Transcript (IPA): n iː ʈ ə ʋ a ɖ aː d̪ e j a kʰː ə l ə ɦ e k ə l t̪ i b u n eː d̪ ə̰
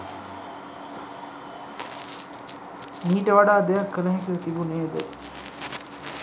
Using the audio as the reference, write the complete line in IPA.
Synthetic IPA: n iː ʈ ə ʋ a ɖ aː d̪ e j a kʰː ə l ə ɦ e k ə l t̪ i b u n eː d̪ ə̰